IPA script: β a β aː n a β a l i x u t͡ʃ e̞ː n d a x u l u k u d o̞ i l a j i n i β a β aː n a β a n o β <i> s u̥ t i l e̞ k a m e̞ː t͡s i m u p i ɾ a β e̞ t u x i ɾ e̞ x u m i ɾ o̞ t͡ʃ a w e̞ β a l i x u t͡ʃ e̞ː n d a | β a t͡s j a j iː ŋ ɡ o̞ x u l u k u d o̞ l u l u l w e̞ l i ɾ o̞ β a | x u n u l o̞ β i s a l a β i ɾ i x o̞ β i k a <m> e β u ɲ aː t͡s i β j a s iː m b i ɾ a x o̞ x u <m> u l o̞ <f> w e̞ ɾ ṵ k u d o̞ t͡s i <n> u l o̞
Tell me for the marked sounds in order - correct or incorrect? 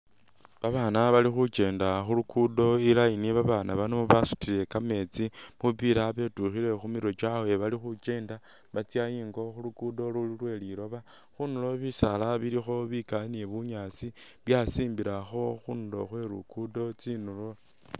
incorrect: a, incorrect: n, incorrect: n, incorrect: x, correct

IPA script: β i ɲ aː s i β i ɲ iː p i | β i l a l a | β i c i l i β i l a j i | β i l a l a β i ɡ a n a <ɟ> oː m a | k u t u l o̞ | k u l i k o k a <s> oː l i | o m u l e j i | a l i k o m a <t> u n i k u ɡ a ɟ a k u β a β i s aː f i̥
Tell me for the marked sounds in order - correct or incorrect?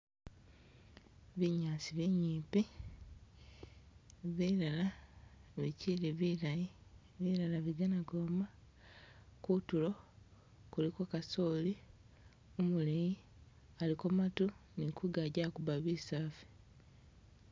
incorrect: ɡ, correct, correct

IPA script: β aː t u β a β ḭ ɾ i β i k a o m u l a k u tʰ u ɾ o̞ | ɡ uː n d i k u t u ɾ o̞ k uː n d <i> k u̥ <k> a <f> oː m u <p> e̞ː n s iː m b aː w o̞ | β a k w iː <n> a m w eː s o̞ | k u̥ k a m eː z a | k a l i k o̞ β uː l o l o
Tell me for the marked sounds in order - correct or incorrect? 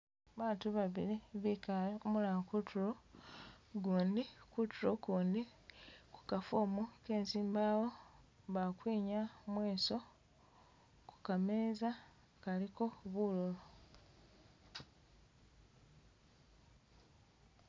correct, correct, correct, incorrect: k, incorrect: ɲ

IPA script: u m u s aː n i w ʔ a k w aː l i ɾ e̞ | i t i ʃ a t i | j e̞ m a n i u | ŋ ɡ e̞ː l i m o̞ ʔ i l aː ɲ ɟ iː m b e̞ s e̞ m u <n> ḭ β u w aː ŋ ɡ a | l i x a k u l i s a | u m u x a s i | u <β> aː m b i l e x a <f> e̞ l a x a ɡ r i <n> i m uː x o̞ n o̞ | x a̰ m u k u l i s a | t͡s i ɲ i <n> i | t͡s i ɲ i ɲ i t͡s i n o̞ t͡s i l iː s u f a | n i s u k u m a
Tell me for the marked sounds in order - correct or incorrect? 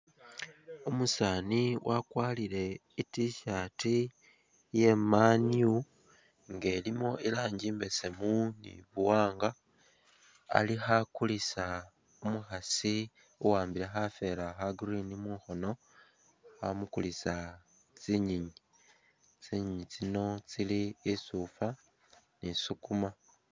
correct, incorrect: w, correct, correct, incorrect: ɲ

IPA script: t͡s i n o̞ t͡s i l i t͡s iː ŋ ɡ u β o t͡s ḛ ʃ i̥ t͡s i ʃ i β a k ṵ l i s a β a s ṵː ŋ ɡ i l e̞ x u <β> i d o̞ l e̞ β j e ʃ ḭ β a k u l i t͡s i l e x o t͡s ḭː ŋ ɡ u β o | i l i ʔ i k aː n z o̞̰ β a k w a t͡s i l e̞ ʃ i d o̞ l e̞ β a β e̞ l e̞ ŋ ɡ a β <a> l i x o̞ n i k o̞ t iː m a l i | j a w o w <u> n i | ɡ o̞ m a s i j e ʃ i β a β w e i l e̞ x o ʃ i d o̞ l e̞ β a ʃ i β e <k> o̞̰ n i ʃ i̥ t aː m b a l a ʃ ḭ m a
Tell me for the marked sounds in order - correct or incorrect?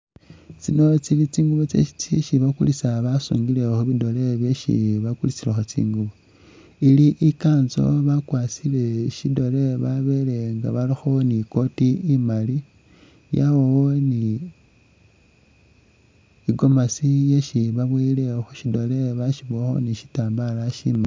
correct, correct, incorrect: o, incorrect: x

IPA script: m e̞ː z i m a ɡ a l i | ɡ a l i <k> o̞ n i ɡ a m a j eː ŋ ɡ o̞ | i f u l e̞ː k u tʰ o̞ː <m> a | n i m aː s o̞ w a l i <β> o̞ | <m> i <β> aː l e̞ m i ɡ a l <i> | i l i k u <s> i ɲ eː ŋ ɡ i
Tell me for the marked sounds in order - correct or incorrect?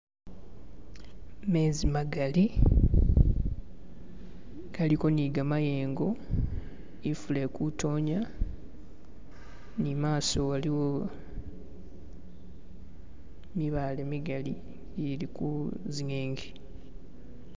correct, incorrect: ɲ, incorrect: w, correct, correct, correct, incorrect: z

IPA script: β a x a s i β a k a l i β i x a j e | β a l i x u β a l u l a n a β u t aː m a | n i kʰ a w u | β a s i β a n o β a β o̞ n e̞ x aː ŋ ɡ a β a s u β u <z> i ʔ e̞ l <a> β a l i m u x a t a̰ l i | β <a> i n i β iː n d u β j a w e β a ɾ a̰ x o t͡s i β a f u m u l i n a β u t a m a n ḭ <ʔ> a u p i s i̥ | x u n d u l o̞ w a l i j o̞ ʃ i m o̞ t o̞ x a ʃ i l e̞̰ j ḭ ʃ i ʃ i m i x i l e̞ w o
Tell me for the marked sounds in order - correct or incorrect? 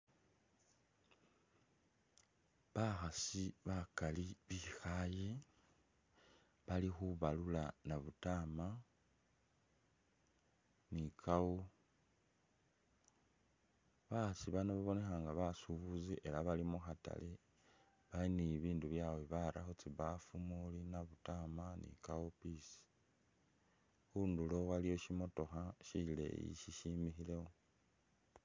correct, correct, correct, incorrect: k

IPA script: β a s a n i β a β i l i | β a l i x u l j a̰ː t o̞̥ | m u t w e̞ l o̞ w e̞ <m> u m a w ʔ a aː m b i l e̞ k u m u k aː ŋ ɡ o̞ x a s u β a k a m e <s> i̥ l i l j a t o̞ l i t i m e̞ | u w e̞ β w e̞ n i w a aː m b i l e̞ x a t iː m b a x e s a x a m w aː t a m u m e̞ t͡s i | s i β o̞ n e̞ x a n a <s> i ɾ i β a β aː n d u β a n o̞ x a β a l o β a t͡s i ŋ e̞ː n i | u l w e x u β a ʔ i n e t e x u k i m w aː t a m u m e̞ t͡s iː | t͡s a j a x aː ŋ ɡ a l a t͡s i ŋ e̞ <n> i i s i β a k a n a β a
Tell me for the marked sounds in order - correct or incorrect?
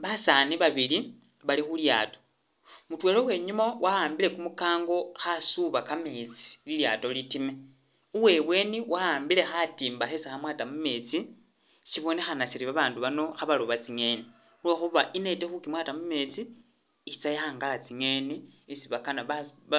incorrect: ɲ, incorrect: t͡s, correct, correct

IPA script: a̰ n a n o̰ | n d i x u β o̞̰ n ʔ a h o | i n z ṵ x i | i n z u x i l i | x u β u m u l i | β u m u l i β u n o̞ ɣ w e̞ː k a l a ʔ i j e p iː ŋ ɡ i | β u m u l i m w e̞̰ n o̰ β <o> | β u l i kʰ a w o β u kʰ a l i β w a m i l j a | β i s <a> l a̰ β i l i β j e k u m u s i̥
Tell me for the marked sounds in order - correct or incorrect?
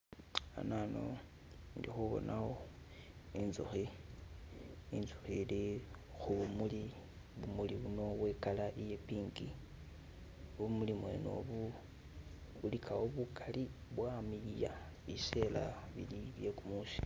incorrect: u, incorrect: e

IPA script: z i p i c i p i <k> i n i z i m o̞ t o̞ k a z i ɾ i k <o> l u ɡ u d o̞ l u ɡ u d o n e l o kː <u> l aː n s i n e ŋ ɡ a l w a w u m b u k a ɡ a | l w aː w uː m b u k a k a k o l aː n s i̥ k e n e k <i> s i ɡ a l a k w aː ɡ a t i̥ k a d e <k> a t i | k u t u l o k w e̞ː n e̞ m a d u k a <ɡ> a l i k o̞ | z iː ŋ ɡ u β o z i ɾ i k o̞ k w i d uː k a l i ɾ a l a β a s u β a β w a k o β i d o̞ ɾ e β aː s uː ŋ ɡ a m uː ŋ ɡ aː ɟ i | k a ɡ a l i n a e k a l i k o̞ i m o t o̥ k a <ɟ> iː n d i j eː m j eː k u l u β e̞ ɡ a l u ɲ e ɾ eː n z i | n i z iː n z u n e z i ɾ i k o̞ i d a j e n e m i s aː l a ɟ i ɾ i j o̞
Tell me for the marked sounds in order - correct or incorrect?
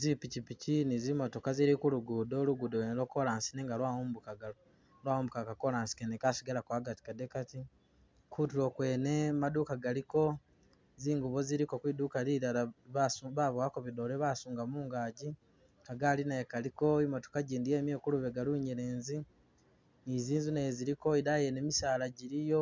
incorrect: c, incorrect: u, incorrect: o, incorrect: a, correct, correct, correct

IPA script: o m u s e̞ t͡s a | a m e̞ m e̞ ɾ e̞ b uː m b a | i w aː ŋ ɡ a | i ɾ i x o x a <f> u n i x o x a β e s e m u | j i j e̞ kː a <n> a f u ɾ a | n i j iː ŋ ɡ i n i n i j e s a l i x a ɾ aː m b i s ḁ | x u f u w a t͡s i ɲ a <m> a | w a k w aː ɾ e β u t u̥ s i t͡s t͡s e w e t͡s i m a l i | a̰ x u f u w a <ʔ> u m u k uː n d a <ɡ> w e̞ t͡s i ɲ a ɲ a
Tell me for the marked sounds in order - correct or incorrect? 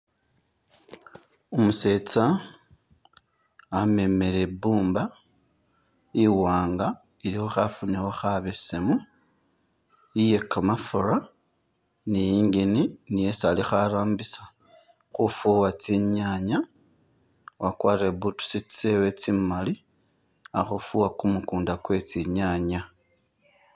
correct, incorrect: m, incorrect: ɲ, incorrect: k, incorrect: k

